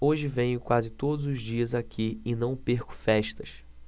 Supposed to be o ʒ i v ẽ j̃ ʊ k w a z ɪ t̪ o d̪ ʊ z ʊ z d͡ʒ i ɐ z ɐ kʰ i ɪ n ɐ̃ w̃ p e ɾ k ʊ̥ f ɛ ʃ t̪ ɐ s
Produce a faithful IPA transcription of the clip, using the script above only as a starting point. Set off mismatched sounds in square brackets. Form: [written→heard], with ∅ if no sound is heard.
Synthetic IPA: o ʒ [i→ɪ] v ẽ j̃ ʊ k w a z ɪ t̪ o d̪ ʊ z ʊ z d͡ʒ i ɐ z [ɐ→a] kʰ i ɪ n ɐ̃ w̃ p e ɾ k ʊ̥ f ɛ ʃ t̪ ɐ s